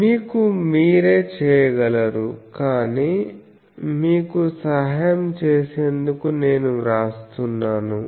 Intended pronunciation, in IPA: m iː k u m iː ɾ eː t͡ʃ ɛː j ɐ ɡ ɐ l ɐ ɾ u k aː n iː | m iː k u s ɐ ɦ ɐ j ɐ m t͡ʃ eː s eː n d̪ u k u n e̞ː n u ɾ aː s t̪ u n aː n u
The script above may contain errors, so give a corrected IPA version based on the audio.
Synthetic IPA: m iː k u m iː ɾ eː t͡ʃ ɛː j ɐ ɡ ɐ l ɐ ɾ u k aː n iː | m iː k u s ɐ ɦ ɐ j ɐ m t͡ʃ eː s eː n d̪ u k u n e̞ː n u ɾ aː s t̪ u nː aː n u